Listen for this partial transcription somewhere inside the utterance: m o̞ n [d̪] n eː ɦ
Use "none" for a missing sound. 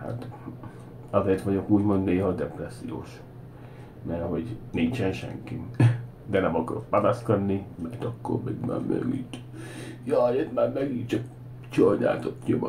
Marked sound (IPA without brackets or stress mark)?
d̪